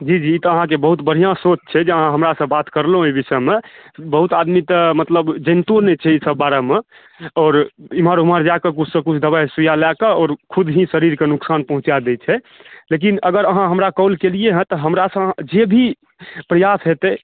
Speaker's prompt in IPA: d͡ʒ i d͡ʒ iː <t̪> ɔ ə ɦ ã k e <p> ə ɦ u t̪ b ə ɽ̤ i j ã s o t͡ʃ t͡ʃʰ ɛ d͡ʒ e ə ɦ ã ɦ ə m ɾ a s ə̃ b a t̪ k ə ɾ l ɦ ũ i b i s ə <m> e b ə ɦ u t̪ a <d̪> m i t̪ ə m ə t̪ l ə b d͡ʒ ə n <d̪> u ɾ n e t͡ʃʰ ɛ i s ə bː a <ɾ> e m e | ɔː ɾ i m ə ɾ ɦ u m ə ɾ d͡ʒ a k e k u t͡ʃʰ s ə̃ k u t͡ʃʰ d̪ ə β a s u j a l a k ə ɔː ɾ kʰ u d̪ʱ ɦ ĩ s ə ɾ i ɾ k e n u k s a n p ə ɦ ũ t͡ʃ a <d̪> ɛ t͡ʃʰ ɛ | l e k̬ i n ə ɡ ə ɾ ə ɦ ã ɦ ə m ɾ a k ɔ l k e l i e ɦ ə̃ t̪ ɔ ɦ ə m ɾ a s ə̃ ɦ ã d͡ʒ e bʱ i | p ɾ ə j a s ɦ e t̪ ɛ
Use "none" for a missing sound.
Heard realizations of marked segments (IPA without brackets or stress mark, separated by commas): t̪, b, m, d̪, t̪, ɾ, d̪